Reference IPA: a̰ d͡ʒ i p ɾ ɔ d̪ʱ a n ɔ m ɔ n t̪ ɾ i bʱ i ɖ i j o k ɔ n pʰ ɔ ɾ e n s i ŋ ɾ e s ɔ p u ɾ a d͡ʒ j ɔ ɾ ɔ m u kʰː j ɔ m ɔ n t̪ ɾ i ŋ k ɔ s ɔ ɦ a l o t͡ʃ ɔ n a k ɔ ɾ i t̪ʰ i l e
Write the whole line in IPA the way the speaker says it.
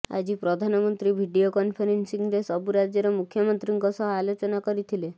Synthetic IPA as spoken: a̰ d͡ʒ i p ɾ ɔ d̪ʱ a n ɔ m ɔ n t̪ ɾ i bʱ i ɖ i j o k ɔ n pʰ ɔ ɾ e n s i ŋ ɾ e s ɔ b u ɾ a d͡ʒ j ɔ ɾ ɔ m u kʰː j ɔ m ɔ n t̪ ɾ i ŋ k ɔ s ɔ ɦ a l o t͡ʃ ɔ n a k ɔ ɾ i t̪ʰ i l e